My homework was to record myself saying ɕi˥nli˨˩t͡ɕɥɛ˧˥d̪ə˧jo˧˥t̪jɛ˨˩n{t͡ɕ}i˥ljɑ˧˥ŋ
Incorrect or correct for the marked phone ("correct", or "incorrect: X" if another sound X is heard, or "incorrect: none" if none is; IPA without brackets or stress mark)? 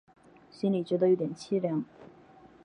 incorrect: t͡ɕʰ